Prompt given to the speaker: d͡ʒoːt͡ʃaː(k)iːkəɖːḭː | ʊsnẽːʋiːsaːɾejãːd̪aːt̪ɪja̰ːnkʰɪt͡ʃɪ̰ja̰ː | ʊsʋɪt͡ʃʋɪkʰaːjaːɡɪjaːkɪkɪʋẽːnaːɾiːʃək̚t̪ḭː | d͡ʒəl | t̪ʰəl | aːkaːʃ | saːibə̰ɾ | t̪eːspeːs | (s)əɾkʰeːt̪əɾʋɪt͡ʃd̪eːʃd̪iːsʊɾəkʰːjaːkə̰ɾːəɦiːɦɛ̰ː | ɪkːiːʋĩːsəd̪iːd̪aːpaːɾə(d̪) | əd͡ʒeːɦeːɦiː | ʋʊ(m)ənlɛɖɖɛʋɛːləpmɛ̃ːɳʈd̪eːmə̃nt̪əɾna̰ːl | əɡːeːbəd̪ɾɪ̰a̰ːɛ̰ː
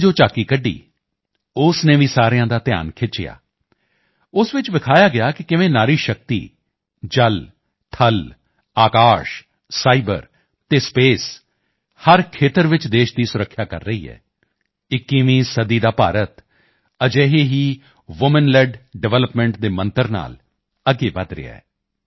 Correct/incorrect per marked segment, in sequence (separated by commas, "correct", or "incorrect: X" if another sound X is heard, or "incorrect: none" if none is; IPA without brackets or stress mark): correct, incorrect: h, incorrect: t̪, correct